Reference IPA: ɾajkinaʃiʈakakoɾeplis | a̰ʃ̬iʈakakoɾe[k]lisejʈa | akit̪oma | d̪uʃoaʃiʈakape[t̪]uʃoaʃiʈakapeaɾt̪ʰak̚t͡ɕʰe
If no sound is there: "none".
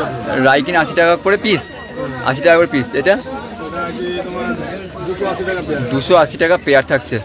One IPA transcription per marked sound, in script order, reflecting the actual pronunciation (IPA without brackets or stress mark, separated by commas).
p, d̪